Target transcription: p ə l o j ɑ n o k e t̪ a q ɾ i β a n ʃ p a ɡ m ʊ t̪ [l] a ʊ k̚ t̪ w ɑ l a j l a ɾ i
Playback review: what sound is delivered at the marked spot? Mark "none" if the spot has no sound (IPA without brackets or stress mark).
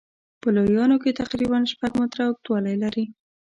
ɾ